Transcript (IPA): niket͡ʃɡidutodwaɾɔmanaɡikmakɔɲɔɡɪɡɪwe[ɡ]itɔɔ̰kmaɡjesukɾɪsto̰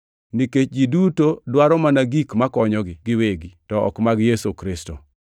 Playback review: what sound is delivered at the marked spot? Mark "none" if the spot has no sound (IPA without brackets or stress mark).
ɡ